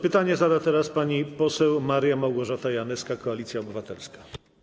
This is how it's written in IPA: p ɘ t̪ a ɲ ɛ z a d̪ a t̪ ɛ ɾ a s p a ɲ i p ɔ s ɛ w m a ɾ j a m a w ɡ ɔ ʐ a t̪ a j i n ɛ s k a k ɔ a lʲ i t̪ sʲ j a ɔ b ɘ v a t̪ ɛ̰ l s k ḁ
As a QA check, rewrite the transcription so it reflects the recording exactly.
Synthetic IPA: p ɘ t̪ a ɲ ɛ z a d̪ a t̪ ɛ ɾ a s p a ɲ i p ɔ s ɛ w m a ɾ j a m a w ɡ ɔ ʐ a t̪ a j a n ɛ s k a k ɔ a lʲ i t̪ sʲ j a ɔ b ɘ v a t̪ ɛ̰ l s k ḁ